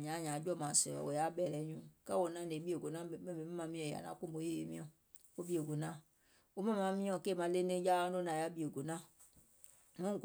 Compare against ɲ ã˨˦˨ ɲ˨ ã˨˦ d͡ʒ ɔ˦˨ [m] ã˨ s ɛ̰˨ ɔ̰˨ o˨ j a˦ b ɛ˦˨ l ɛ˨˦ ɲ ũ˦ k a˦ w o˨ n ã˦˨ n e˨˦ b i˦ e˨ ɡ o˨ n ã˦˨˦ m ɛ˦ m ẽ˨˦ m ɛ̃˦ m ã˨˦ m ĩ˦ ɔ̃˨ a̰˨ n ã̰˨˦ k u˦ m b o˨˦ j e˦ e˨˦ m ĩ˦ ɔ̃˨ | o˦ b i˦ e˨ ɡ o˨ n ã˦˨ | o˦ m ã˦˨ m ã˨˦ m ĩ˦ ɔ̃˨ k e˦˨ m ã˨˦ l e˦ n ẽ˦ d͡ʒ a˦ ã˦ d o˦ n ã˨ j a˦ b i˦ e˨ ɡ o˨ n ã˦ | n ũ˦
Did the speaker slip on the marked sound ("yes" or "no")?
no